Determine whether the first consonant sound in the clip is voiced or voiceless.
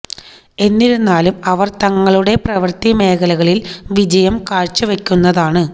voiced